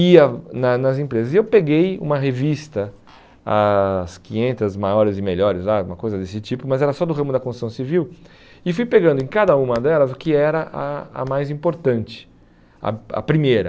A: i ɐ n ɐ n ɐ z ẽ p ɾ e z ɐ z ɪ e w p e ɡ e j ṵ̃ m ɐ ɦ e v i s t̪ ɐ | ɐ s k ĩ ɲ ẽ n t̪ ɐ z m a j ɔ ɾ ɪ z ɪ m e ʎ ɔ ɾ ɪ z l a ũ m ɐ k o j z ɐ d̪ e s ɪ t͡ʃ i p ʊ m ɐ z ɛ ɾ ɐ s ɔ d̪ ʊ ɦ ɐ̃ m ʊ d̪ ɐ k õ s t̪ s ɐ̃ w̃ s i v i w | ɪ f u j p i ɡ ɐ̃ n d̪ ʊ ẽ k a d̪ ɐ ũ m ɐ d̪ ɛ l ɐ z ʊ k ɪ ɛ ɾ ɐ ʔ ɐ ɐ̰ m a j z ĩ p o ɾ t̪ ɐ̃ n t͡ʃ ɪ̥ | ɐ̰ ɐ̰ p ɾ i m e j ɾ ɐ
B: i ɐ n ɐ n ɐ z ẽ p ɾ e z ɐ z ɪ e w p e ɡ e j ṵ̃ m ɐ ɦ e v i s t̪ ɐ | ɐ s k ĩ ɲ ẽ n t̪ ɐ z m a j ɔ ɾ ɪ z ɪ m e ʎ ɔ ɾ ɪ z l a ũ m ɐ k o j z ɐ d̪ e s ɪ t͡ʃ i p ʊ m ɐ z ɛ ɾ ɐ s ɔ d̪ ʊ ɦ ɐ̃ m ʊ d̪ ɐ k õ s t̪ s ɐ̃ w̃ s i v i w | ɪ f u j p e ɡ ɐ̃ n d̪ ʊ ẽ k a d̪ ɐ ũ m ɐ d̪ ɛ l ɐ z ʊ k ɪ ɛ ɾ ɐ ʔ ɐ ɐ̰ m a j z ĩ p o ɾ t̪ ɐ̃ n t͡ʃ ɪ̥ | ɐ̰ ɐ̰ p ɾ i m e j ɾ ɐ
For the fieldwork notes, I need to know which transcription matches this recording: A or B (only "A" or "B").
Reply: B